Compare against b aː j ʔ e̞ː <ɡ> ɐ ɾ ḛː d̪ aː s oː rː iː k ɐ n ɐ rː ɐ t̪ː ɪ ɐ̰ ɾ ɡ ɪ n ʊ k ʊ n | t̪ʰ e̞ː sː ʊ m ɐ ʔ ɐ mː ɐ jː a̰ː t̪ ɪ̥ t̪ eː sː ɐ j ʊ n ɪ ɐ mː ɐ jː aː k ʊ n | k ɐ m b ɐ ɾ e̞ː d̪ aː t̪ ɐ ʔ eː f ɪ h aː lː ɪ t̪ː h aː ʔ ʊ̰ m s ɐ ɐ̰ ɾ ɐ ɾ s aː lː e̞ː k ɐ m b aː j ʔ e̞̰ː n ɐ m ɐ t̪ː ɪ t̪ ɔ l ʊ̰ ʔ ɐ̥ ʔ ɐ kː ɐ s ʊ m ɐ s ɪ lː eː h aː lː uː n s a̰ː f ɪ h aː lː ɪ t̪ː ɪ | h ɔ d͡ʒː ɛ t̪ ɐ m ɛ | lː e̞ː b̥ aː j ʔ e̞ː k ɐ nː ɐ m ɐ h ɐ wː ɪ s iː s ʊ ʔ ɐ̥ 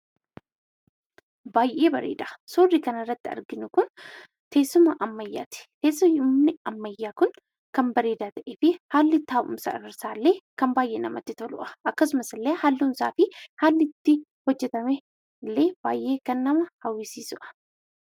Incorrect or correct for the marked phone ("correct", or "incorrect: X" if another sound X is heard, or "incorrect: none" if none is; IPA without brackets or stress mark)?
incorrect: b